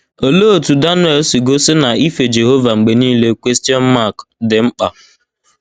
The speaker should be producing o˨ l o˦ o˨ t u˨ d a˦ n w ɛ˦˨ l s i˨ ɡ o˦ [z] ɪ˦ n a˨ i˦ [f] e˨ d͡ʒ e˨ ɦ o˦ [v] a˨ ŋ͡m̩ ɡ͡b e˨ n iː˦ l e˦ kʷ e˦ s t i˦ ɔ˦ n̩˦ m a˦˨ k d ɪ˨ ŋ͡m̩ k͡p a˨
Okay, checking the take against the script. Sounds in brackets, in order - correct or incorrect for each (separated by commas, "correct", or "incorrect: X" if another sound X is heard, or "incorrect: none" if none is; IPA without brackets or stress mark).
incorrect: s, correct, correct